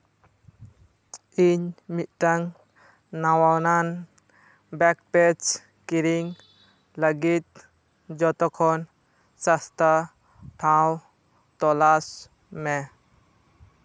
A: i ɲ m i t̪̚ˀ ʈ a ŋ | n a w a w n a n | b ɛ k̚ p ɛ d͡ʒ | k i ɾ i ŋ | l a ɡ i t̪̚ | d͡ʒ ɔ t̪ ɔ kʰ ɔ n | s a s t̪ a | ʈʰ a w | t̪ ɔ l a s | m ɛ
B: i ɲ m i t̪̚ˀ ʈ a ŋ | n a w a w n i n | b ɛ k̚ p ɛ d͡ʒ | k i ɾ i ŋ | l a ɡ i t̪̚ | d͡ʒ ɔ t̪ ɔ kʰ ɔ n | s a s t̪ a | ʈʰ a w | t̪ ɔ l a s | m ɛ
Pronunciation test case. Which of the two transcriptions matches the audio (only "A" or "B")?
A